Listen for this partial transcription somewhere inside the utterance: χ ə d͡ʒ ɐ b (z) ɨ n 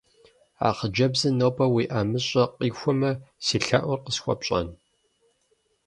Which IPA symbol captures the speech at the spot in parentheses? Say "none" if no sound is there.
z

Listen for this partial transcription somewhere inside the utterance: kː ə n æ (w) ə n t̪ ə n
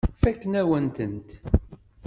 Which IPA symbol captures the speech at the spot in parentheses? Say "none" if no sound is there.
w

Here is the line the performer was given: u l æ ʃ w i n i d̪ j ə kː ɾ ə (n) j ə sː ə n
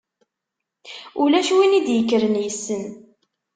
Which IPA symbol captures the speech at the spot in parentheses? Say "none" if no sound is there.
n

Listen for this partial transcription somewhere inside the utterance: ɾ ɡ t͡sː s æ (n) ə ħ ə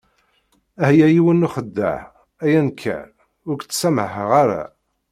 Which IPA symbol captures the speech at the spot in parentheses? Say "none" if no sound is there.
m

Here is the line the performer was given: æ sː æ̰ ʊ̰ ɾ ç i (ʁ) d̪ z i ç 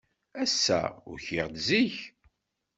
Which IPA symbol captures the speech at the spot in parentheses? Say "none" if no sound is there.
ʁ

